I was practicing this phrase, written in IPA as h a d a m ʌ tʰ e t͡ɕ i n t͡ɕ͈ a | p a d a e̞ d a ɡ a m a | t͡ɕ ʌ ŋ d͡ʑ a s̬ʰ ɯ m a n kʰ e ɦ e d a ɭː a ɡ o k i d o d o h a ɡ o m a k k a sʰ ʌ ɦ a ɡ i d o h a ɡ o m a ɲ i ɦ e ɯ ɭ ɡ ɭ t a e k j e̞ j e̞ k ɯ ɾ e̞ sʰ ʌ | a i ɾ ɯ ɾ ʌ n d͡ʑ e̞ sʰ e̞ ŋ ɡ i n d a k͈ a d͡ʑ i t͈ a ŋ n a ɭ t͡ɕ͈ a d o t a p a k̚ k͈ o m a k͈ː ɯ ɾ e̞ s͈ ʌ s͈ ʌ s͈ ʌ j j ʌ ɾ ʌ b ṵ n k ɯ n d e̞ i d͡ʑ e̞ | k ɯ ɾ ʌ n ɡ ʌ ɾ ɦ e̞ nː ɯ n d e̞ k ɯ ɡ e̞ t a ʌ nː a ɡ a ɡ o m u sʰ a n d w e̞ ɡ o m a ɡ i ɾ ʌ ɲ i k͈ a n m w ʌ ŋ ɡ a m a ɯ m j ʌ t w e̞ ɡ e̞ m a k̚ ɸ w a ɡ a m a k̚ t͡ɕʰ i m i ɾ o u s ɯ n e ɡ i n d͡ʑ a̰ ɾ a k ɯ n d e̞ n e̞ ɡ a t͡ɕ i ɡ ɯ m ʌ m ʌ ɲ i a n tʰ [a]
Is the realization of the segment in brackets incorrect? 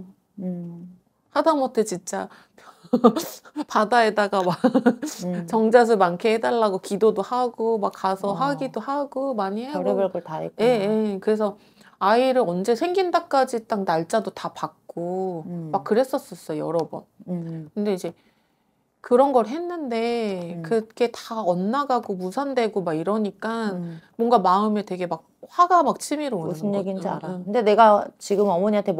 yes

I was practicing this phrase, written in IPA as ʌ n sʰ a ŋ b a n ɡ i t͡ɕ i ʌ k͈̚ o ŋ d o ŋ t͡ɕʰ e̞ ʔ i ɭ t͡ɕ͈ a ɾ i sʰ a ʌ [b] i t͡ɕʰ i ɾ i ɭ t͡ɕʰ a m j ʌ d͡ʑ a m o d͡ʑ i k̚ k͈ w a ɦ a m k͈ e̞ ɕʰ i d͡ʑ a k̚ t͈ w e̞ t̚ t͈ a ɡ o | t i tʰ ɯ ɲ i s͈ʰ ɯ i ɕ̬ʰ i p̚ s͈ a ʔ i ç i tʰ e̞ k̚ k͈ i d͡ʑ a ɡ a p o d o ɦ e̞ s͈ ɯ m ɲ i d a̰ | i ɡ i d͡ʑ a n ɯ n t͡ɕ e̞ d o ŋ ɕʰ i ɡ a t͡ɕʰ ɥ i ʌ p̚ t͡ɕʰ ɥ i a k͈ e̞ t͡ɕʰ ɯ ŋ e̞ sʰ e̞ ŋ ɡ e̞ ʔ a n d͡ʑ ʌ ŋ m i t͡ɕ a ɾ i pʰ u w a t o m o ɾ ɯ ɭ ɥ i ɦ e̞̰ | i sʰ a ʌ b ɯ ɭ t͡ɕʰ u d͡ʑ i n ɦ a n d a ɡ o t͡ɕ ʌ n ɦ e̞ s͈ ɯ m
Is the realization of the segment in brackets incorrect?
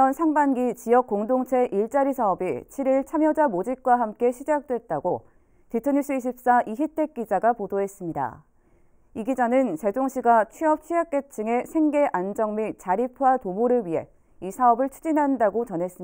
no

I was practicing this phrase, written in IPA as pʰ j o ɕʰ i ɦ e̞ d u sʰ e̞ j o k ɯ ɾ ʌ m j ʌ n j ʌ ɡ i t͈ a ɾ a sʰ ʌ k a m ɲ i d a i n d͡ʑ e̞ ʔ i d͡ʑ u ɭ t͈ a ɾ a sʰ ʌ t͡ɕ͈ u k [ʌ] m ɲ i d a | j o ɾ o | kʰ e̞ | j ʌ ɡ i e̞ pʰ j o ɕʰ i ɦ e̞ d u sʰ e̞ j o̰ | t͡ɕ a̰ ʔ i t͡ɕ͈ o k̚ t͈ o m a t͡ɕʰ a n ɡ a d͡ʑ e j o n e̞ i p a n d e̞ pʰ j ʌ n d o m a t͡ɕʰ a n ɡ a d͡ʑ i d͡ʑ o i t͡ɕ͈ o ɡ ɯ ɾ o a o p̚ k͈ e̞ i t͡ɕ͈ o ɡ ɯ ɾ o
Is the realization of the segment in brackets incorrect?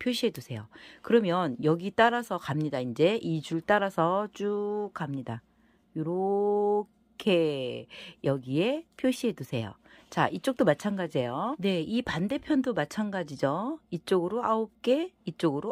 yes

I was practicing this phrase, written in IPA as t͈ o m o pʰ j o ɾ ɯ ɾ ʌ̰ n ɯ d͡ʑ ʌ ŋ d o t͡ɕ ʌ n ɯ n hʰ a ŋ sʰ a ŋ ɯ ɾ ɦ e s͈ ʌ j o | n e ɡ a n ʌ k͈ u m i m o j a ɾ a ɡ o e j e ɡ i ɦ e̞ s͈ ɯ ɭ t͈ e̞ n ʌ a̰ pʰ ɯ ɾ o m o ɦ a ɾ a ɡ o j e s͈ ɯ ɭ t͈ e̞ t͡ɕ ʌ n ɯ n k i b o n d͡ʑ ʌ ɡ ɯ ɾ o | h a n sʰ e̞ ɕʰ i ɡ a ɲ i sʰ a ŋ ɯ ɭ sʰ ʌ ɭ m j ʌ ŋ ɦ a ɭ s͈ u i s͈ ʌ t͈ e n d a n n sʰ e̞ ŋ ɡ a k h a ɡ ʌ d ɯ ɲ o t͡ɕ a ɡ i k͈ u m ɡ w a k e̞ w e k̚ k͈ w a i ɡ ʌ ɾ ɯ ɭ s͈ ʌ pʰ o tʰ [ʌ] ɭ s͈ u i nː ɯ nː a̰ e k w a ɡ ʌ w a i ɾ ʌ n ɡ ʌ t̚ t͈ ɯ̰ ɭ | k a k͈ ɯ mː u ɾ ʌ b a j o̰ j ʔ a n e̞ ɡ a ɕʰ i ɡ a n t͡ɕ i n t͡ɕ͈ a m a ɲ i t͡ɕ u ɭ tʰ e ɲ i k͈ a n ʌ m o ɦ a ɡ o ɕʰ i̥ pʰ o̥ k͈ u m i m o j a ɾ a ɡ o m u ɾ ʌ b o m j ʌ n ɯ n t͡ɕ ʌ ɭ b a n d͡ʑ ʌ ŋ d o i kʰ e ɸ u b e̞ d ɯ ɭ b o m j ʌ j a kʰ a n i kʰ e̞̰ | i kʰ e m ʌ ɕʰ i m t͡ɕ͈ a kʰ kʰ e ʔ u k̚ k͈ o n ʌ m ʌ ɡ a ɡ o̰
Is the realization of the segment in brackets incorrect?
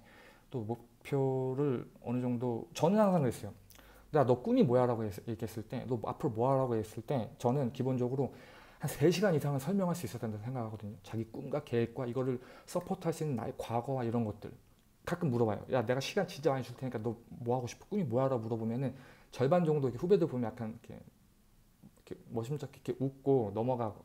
yes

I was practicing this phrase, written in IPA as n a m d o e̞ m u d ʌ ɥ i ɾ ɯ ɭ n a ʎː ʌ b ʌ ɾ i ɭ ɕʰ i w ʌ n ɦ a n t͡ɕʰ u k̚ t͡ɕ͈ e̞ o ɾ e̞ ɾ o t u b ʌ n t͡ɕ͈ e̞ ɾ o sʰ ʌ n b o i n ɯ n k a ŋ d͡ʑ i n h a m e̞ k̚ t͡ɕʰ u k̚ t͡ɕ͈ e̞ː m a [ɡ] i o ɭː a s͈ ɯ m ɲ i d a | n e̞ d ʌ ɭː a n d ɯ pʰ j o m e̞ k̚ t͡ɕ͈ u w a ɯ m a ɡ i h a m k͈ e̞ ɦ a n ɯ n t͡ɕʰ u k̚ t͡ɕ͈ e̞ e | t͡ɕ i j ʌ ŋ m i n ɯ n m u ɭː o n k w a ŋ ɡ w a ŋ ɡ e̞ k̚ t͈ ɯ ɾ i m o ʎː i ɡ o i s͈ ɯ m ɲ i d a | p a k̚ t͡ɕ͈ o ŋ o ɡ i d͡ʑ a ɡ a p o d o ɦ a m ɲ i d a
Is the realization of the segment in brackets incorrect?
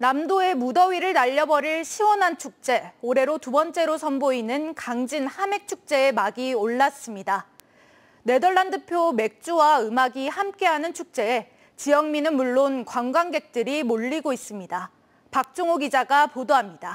no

